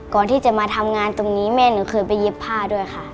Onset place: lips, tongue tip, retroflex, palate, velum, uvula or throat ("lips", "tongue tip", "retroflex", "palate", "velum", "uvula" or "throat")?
velum